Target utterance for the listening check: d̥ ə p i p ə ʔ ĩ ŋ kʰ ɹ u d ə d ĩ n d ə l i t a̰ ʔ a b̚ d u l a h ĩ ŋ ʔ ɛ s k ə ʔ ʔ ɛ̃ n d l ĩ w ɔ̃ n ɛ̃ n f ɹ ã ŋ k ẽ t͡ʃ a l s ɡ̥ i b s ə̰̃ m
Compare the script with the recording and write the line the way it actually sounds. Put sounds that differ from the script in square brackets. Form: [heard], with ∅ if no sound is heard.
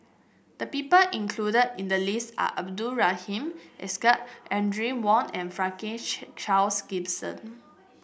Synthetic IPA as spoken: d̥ ə p i p ə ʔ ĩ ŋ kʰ [l] u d ə d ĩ n d ə l i [s] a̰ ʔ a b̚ d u [ɹ] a h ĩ [m] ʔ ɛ s k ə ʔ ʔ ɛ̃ n d [ɹ] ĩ w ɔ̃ n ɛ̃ n f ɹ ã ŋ k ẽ t͡ʃ a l s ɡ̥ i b s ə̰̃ [n]

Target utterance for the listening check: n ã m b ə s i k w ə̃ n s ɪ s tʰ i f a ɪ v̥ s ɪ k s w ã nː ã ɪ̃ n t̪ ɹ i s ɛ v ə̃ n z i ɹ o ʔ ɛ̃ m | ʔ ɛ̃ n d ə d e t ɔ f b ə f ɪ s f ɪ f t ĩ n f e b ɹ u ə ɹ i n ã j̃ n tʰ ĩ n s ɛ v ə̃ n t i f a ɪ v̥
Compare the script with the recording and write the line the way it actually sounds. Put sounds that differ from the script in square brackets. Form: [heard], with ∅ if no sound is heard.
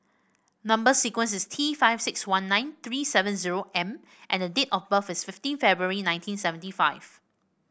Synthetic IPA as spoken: n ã m b ə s i k w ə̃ n s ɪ s tʰ i f a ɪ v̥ s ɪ k s w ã nː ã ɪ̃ n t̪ ɹ i s ɛ v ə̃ n z i ɹ o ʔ ɛ̃ m | ʔ ɛ̃ n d ə d e t ɔ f b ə f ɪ s f ɪ f t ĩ n f [ɛ] b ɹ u ə ɹ i n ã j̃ n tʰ ĩ n s ɛ v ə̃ n t i f a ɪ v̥

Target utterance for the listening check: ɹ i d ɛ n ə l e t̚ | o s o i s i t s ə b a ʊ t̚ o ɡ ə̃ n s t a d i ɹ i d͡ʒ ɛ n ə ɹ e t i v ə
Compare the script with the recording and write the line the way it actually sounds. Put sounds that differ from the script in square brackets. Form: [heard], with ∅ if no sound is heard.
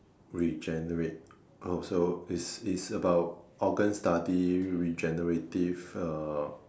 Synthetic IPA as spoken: ɹ i [d͡ʒ] ɛ n ə [ɹ] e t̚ | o s o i s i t s ə b a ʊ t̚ [ɔ] ɡ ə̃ n s t a d i ɹ i d͡ʒ ɛ n ə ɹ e t i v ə

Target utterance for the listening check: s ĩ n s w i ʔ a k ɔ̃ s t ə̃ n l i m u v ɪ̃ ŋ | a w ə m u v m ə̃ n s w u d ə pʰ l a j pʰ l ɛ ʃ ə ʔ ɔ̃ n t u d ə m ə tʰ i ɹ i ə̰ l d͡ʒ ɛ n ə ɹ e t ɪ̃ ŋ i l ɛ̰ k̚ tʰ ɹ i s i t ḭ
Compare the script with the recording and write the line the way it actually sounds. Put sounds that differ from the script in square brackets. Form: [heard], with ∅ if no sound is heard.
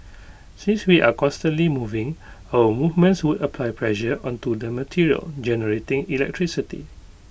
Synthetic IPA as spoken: s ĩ n s w i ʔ a k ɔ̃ s t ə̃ n l i m u v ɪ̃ ŋ | a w ə m u v m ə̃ n s w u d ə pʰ l a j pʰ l ɛ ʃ ə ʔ ɔ̃ n t u d ə m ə tʰ i ɹ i ə̰ l d͡ʒ ɛ n ə ɹ e t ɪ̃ ŋ i l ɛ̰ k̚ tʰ ɹ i s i t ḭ

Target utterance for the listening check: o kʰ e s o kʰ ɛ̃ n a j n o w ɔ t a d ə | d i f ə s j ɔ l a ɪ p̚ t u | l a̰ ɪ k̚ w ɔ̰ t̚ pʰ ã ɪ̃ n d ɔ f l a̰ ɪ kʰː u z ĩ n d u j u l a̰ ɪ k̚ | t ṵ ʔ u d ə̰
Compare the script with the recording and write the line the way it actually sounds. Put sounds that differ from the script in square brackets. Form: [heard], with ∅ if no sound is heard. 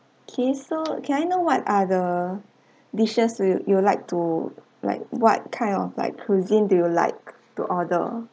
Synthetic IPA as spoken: o kʰ e s o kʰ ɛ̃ n a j n o w ɔ t a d ə | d i [ʃ] ə s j [u] l a ɪ [k̚] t u | l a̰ ɪ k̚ w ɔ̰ t̚ [kʰ] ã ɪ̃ n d ɔ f l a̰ ɪ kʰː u z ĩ n d u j u l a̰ ɪ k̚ | t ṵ ʔ [ɔ] d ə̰

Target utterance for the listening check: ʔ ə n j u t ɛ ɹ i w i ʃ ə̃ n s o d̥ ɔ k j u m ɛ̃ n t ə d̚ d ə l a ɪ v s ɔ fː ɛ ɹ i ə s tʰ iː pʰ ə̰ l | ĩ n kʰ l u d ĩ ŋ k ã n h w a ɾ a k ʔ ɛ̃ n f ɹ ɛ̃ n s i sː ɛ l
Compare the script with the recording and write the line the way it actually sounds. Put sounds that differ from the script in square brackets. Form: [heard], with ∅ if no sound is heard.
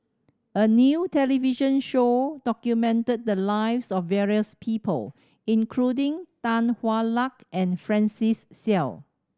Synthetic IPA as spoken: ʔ ə n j u t ɛ [l] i [v] i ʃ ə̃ n [ʃ] o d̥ ɔ k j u m ɛ̃ n t ə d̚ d ə l a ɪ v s ɔ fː ɛ ɹ i ə s [pʰ] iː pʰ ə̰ l | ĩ n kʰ l u d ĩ ŋ [t] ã n h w a [l] a k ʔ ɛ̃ n f ɹ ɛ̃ n s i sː ɛ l

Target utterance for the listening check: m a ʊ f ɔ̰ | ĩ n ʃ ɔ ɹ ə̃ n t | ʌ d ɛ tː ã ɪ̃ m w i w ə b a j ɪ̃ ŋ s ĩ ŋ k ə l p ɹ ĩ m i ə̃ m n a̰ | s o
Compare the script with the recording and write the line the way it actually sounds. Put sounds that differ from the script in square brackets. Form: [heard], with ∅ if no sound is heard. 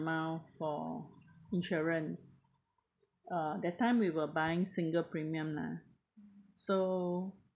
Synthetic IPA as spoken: m a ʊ f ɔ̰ | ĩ n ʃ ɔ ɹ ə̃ n [s] | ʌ d ɛ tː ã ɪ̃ m w i w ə b a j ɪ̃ ŋ s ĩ ŋ [ɡ] ə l p ɹ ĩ m i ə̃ m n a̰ | s o

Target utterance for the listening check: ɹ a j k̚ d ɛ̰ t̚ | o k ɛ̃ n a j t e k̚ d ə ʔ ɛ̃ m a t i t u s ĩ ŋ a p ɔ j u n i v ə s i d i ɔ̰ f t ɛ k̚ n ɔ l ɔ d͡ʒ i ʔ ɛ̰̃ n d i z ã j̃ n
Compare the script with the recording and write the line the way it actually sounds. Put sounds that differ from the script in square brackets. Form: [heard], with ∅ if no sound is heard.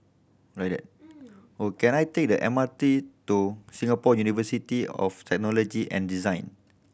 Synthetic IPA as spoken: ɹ a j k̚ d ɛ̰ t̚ | o k ɛ̃ n a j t e k̚ d ə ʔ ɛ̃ m a t i t u s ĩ ŋ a p ɔ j u n i v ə s i [t] i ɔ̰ f t ɛ k̚ n ɔ l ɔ d͡ʒ i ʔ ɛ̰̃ n d i z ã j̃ n

